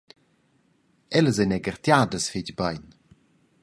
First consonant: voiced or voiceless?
voiced